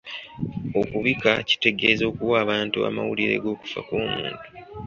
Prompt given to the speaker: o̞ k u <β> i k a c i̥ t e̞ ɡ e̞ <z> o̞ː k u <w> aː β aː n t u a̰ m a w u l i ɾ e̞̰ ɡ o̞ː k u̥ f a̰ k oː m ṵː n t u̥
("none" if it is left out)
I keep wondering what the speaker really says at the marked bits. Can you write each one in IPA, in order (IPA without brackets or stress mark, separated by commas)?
β, z, w